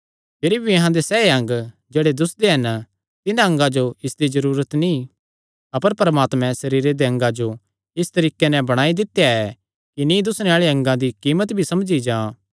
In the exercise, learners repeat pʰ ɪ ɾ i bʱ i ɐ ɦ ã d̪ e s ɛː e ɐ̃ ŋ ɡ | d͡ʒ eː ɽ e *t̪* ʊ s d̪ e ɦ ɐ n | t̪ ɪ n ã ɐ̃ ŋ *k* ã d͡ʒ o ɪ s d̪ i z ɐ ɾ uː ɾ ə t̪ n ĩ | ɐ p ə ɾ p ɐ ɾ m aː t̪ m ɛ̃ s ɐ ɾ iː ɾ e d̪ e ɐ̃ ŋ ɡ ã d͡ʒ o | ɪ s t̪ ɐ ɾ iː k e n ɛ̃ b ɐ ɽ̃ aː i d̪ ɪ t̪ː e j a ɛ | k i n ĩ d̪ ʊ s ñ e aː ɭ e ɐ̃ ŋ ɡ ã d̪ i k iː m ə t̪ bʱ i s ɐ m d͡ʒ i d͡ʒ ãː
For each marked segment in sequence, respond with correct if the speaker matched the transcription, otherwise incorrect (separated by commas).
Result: incorrect, incorrect